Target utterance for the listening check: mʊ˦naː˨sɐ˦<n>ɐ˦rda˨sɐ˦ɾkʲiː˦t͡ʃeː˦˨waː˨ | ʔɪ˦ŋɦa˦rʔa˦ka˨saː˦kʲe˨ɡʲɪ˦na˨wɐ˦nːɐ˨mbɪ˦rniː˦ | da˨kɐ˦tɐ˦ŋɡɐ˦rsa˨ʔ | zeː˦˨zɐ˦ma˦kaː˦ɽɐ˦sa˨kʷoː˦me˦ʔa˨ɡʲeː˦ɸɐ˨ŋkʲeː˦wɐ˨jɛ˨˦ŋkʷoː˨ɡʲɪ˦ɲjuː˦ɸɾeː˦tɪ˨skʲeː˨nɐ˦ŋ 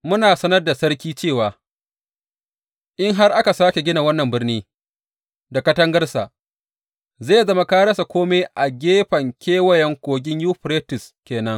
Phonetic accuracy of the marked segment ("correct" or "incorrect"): correct